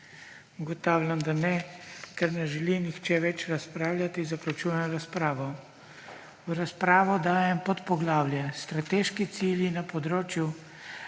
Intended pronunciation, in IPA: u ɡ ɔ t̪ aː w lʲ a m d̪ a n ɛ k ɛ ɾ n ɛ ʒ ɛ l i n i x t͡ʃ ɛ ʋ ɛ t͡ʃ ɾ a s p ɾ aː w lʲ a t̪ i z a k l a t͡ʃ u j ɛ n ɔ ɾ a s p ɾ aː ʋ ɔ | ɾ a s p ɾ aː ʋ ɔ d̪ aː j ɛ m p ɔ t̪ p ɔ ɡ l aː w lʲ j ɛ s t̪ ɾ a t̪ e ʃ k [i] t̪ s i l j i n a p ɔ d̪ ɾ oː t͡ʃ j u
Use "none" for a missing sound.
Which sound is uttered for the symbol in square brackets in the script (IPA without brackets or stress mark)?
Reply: i